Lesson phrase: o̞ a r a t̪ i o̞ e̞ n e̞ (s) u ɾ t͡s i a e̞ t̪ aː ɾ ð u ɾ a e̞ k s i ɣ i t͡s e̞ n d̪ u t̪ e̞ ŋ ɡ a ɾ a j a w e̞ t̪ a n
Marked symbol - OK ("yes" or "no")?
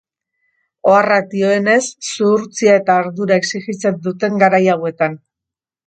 no